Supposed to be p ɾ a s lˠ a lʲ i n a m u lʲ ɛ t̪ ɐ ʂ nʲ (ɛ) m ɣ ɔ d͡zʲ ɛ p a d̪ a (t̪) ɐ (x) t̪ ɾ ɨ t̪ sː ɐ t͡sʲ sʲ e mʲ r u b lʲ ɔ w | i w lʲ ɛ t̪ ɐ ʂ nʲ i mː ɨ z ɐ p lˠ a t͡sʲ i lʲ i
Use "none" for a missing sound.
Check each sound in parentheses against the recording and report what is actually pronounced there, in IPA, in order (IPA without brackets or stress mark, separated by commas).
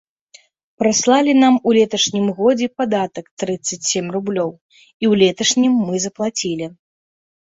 i, t̪, k